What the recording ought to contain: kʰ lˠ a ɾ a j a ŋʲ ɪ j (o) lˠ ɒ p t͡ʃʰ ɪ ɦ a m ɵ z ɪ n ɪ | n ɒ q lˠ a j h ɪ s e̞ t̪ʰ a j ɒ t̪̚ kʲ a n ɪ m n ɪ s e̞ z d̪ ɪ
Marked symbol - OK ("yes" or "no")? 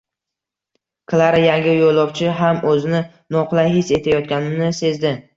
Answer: yes